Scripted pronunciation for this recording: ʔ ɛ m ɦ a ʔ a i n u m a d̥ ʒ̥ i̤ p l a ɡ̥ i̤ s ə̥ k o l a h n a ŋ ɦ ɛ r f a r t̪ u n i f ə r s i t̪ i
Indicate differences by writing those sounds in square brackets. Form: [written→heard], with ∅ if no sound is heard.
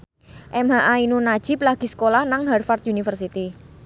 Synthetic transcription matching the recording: ʔ ɛ m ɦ a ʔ a i n u [m→n] a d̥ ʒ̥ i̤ p l a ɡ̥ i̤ s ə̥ k o l a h n a ŋ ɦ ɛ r f a r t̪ u n i f ə r s i t̪ i